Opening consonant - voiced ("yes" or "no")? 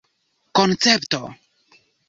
no